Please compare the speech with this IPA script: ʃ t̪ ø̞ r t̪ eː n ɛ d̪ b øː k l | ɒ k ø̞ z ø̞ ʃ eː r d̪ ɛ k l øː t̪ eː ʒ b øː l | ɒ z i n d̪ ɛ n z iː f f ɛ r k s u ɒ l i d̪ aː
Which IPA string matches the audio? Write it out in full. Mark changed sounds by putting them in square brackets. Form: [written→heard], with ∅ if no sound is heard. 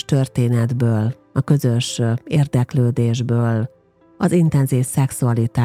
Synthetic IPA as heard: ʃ t̪ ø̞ r t̪ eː n ɛ d̪ b øː [k→∅] l | ɒ k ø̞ z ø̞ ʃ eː r d̪ ɛ k l øː [t̪→d̪] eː ʒ b øː l | ɒ z i n [d̪→t̪] ɛ n z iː f [f→s] ɛ [r→∅] k s u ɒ l i [d̪→t̪] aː